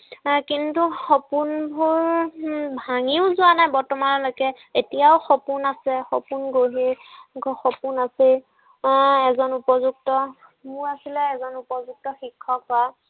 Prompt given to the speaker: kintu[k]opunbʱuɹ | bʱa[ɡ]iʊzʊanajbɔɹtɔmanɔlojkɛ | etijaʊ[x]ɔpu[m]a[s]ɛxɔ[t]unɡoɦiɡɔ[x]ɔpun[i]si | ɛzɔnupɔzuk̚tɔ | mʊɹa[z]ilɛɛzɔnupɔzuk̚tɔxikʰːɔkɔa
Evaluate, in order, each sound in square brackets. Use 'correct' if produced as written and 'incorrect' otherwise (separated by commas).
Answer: incorrect, incorrect, correct, incorrect, correct, incorrect, correct, incorrect, incorrect